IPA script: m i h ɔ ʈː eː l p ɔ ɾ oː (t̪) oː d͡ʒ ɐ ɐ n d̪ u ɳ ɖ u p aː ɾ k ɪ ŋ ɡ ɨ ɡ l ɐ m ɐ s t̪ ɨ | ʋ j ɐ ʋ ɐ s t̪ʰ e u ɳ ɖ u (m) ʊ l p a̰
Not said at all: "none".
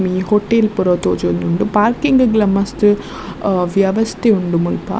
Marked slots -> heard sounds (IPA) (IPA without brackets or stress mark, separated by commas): t̪, m